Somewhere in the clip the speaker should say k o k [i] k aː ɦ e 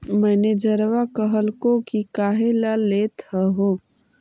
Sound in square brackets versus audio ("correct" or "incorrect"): correct